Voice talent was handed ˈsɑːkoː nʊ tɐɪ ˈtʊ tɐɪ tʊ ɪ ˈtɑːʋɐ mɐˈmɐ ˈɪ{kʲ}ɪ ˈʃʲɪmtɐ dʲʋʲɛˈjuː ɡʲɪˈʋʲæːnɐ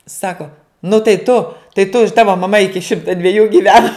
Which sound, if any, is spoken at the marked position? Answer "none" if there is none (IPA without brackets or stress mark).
kʲ